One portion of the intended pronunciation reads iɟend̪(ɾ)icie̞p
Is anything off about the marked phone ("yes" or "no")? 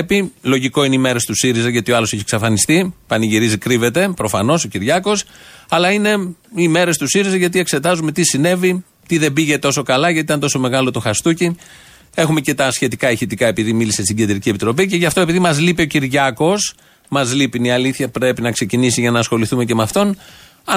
no